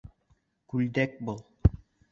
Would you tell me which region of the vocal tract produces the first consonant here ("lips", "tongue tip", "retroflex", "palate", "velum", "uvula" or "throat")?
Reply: velum